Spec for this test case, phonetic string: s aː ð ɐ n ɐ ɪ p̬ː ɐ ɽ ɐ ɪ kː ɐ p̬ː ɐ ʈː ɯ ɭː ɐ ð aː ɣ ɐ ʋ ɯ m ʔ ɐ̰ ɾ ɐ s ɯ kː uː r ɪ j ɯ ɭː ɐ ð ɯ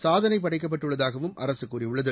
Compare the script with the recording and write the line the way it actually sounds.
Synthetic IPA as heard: s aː ð ɐ n ɐ ɪ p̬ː ɐ ɽ ɐ ɪ kː ɐ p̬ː ɐ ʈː ɯ ɭː ɐ ð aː ɣ ɐ ʋ ɯ m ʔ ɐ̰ ɾ ɐ s ɯ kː uː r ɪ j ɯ ɭː ɐ ð ɯ